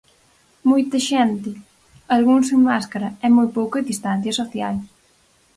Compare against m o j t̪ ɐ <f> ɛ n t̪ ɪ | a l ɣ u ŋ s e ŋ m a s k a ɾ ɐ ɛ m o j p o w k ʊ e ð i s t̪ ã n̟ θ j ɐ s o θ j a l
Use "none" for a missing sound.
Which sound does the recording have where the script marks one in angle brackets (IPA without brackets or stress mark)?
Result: ʃ